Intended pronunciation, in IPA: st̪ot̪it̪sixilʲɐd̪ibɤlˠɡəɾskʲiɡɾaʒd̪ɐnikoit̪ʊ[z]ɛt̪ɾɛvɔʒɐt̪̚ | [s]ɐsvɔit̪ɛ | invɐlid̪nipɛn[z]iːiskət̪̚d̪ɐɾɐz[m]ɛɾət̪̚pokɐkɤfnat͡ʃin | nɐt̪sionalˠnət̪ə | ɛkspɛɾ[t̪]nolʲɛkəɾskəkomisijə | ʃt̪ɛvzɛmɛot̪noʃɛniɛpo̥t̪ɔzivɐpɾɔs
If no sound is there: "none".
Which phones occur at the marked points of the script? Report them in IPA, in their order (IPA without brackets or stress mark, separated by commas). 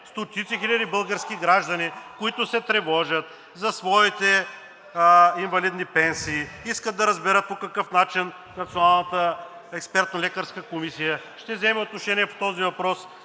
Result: s, z, s, b, t̪